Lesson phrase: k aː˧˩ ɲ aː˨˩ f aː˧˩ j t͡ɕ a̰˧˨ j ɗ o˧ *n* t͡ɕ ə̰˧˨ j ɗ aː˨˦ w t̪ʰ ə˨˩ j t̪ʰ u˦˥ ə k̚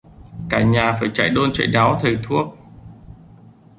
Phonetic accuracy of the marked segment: correct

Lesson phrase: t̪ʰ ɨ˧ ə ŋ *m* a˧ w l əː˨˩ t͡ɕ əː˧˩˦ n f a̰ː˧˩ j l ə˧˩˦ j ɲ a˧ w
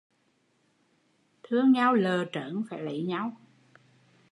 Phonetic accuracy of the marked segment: incorrect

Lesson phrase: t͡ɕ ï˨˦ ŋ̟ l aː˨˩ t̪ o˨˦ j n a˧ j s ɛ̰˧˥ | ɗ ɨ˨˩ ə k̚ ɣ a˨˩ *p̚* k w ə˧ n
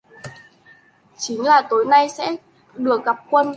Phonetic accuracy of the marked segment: correct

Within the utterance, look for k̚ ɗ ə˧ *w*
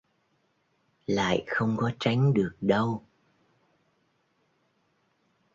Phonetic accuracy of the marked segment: correct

